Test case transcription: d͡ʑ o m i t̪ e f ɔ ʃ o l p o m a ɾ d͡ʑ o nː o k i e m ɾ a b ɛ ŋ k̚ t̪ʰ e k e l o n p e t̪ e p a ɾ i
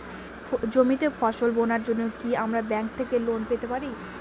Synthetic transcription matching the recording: d͡ʑ o m i t̪ e f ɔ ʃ o l b o n a ɾ d͡ʑ o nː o k i a m ɾ a b ɛ ŋ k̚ t̪ʰ e k e l o n p e t̪ e p a ɾ i